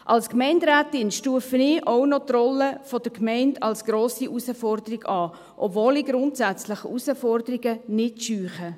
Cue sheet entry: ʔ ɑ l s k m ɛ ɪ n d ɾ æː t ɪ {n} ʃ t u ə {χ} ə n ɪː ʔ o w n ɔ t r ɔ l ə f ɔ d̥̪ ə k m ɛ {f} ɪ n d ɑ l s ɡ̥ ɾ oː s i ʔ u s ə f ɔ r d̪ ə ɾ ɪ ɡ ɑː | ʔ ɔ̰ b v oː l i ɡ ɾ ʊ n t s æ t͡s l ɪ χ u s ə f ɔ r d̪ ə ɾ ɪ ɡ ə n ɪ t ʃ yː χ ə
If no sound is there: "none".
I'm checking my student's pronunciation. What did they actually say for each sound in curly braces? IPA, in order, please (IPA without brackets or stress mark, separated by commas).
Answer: n, f, none